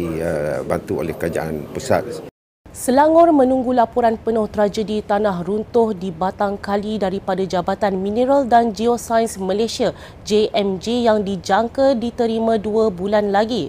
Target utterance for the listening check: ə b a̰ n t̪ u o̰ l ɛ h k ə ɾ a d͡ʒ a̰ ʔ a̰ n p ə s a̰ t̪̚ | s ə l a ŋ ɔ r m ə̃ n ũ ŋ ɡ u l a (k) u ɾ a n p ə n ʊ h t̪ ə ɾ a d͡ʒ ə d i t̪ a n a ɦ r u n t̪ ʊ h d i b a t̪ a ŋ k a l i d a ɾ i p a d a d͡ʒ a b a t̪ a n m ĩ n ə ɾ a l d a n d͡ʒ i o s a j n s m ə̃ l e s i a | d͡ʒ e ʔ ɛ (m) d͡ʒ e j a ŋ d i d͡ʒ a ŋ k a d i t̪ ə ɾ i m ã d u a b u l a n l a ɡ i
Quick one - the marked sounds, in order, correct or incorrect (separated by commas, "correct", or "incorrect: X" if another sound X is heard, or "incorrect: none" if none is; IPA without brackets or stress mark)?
incorrect: p, correct